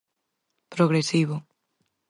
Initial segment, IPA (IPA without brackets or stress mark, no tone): p